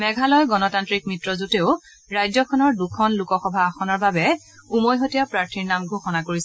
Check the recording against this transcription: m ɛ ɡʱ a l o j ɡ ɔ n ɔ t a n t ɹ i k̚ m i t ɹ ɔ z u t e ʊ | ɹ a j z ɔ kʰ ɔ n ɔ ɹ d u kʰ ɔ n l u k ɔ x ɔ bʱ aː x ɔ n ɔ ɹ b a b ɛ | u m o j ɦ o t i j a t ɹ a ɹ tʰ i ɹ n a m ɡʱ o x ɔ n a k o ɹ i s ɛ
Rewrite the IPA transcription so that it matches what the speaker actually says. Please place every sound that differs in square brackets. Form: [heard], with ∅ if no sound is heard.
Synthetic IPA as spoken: m ɛ ɡʱ a l [ɔ] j ɡ ɔ n ɔ t a n t ɹ i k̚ m i t ɹ ɔ z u t e ʊ | ɹ a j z ɔ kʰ ɔ n ɔ ɹ d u kʰ ɔ n l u k ɔ x ɔ bʱ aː x ɔ n ɔ ɹ b a b ɛ | u m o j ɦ o t i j a [p] ɹ a ɹ tʰ i ɹ n a m ɡʱ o x ɔ n a k o ɹ i s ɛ